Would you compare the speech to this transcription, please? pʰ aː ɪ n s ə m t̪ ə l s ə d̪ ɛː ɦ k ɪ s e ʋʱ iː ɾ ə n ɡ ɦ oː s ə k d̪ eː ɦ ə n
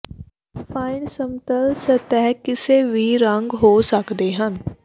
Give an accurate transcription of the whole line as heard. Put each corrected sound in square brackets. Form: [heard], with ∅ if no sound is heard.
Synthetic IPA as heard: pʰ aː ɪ n s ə m t̪ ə l s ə [t̪] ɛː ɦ k ɪ s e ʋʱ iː ɾ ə [ŋ] ɡ ɦ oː s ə k d̪ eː ɦ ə n